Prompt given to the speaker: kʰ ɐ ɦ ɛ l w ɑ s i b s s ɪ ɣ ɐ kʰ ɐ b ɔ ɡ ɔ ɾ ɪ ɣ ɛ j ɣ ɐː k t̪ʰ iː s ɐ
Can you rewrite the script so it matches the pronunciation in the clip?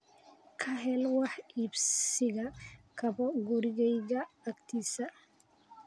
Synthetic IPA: kʰ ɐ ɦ ɛ l w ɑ ħ i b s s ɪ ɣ ɐ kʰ ɐ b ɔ ɡ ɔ ɾ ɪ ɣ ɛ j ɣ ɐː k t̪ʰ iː s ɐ